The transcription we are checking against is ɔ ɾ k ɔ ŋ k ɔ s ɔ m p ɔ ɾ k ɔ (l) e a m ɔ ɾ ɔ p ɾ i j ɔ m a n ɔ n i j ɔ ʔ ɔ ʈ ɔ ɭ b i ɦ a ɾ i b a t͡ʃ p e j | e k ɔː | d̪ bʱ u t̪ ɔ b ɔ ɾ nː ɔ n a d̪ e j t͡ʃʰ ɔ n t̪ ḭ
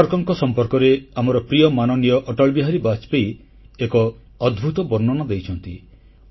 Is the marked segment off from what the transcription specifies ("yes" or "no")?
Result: yes